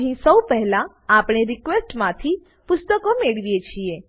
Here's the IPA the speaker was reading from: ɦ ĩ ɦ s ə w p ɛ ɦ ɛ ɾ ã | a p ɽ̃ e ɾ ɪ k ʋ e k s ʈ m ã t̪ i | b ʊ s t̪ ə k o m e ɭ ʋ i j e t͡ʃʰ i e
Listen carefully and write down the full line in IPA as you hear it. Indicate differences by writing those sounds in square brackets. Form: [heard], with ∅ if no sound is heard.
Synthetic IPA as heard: ɦ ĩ [∅] s ə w p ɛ ɦ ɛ [l] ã | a p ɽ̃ e ɾ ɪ k ʋ e [∅] s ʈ m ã [t̪ʰ] i | [p] ʊ s t̪ ə k o m e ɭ ʋ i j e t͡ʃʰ i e